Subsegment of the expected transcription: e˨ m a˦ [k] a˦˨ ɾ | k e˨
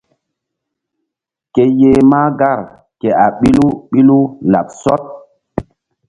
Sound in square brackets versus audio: incorrect: ɡ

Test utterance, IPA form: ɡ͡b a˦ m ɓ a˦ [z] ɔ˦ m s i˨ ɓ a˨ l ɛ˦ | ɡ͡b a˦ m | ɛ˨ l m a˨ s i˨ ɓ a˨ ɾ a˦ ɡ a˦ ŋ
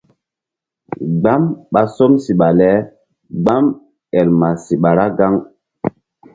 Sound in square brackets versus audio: incorrect: s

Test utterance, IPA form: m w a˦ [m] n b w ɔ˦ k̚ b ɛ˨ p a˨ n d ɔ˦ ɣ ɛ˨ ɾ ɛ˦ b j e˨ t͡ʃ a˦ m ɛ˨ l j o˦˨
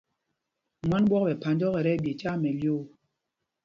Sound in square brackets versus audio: incorrect: none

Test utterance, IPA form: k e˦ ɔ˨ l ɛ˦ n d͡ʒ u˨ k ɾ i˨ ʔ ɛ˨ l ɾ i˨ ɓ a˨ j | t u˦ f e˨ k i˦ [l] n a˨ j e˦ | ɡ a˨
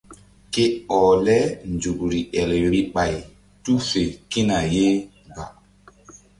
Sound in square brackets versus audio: incorrect: none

